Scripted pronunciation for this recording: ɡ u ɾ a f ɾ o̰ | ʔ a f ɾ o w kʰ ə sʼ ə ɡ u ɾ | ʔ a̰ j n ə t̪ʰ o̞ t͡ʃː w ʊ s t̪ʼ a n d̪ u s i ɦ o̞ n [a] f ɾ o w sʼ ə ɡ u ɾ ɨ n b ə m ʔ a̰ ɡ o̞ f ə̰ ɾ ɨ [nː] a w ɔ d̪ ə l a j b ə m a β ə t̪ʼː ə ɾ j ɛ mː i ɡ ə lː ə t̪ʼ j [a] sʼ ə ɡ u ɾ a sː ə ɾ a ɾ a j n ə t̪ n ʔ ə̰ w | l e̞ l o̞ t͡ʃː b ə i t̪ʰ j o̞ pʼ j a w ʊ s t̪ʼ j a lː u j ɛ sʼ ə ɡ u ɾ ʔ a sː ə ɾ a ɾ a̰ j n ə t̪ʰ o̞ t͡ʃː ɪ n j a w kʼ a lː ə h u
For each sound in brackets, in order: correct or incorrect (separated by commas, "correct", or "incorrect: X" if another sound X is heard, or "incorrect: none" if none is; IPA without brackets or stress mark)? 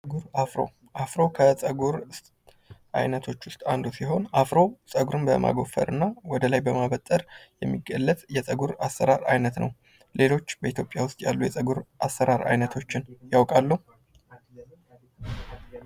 correct, correct, incorrect: ɛ